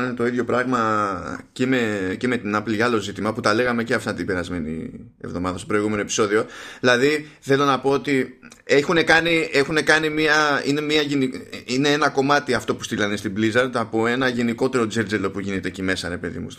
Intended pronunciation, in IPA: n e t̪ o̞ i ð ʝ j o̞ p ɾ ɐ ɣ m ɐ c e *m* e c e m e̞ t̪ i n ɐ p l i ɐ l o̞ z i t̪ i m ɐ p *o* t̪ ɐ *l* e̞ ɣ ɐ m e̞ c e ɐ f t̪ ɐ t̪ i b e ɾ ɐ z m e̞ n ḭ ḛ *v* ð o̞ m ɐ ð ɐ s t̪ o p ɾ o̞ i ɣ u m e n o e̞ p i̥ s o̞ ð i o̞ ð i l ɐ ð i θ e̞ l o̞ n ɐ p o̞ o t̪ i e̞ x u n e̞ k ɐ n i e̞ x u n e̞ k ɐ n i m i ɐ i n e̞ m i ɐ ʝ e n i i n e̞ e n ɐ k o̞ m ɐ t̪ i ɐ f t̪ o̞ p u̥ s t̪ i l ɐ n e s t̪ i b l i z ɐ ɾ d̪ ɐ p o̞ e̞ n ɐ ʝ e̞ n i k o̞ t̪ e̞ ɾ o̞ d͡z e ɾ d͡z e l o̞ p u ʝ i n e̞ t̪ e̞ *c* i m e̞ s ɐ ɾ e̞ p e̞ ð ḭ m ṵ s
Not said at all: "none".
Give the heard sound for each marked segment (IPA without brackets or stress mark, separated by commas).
m, u, l, v, c